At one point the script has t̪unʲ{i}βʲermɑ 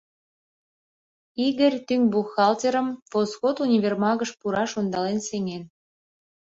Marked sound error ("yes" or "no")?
no